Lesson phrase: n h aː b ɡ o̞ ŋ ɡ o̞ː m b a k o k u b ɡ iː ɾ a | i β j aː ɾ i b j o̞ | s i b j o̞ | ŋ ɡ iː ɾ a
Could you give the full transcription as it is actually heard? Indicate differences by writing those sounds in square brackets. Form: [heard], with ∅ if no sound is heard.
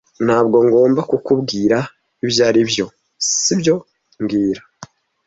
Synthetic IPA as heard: n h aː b ɡ o̞ ŋ ɡ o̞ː m b a k [u] k u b ɡ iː ɾ a | i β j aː ɾ i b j o̞ | s i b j o̞ | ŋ ɡ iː ɾ a